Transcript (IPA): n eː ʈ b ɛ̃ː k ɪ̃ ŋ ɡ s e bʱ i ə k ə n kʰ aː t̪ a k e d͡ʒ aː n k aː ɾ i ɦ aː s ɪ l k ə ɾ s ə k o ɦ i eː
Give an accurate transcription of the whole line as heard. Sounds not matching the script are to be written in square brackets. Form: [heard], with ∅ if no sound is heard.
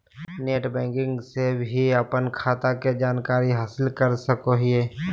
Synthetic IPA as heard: n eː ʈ b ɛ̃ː k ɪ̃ ŋ ɡ s e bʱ i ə [p] ə n kʰ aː t̪ a k e d͡ʒ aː n k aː ɾ i ɦ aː s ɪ l k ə ɾ s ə k o ɦ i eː